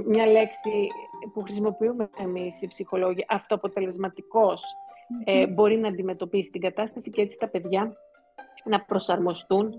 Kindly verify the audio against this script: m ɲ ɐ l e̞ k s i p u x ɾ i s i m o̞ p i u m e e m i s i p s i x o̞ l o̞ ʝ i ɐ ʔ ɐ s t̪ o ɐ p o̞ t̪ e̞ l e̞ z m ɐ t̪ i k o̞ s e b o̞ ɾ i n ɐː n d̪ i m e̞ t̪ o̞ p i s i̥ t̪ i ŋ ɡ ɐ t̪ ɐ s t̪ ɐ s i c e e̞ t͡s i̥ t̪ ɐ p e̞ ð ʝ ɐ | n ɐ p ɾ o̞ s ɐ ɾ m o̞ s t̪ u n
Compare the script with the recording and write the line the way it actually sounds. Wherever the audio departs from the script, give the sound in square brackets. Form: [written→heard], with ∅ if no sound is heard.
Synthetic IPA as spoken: m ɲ ɐ l e̞ k s i p u x ɾ i s i m o̞ p i u m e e m i s i p s i x o̞ l o̞ ʝ i ɐ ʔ ɐ [s→f] t̪ o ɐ p o̞ t̪ e̞ l e̞ z m ɐ t̪ i k o̞ s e b o̞ ɾ i n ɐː n d̪ i m e̞ t̪ o̞ p i s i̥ t̪ i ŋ ɡ ɐ t̪ ɐ s t̪ ɐ s i c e e̞ t͡s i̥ t̪ ɐ p e̞ ð ʝ ɐ | n ɐ p ɾ o̞ s ɐ ɾ m o̞ s t̪ u n